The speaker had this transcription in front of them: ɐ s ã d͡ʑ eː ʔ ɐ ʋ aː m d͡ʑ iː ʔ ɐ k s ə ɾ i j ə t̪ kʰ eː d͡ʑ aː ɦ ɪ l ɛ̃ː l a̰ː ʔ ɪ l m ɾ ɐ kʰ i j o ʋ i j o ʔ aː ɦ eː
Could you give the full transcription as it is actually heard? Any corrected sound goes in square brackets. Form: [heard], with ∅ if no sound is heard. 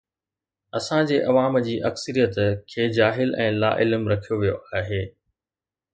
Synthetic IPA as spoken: ɐ s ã d͡ʑ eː ʔ ɐ ʋ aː m d͡ʑ iː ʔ ɐ k s ə ɾ i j ə t̪ kʰ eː d͡ʑ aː ɦ ɪ l ɛ̃ː l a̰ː ʔ ɪ l m ɾ ɐ kʰ i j o ʋ i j o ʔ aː ɦ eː